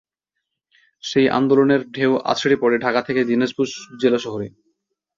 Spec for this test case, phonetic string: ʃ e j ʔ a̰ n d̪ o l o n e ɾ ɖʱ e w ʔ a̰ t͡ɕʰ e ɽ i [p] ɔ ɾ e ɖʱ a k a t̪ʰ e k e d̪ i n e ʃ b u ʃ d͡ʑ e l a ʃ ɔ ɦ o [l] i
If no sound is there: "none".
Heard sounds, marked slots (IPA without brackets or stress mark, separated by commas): p, ɾ